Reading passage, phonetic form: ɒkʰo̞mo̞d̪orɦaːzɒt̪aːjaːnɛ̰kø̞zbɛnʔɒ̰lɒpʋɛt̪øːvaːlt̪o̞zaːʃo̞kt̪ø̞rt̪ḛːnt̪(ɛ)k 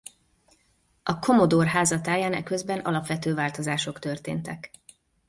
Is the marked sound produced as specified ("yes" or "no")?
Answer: yes